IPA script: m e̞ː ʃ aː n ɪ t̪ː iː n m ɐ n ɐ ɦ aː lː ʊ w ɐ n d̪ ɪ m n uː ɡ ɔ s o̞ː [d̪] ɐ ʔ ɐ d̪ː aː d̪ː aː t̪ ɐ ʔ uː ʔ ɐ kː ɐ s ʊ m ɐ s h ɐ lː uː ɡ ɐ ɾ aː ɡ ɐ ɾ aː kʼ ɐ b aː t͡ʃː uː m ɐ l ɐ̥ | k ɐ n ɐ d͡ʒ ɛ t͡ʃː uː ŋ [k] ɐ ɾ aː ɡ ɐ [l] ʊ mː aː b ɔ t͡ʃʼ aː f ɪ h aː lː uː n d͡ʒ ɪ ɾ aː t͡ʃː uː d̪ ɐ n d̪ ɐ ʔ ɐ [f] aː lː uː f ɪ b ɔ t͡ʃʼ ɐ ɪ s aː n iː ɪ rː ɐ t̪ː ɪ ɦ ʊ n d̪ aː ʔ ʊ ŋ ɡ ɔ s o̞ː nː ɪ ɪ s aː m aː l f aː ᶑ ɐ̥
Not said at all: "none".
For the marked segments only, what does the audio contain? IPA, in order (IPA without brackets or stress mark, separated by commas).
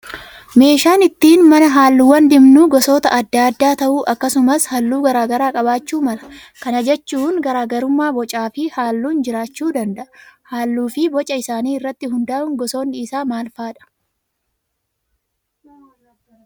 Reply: t̪, ɡ, ɾ, h